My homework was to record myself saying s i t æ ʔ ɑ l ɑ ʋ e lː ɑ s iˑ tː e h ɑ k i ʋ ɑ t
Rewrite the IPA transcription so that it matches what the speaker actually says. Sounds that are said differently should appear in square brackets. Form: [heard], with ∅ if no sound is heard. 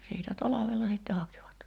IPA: s [iː] t æ [t] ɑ l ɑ ʋ e lː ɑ s iˑ tː e h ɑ k i ʋ ɑ t